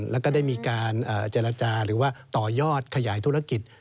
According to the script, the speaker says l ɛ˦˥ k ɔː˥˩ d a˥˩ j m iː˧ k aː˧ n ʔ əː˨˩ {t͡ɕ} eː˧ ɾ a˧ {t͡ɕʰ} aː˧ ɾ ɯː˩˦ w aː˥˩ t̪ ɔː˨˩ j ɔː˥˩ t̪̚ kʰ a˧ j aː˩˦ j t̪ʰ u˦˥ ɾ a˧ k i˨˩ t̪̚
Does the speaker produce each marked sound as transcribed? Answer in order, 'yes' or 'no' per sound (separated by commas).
yes, no